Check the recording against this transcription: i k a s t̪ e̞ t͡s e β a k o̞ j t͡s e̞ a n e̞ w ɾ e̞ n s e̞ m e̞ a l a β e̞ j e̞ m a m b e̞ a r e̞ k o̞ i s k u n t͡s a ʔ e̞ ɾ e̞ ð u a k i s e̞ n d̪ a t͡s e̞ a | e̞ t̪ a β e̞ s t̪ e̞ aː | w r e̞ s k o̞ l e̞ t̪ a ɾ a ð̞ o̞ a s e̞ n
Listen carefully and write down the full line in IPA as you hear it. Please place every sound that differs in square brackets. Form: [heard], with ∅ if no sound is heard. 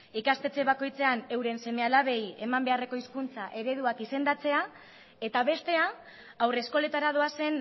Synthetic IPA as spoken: i k a s t̪ e̞ t͡s e β a k o̞ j t͡s e̞ a n e̞ w ɾ e̞ n s e̞ m e̞ a l a β e̞ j e̞ m a m b e̞ a r e̞ k o̞ i s k u n t͡s a ʔ e̞ ɾ e̞ ð u a k i s e̞ n d̪ a t͡s e̞ a | e̞ t̪ a β e̞ s t̪ e̞ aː | w r e̞ s k o̞ l e̞ t̪ a ɾ a ð̞ o̞ a s e̞ n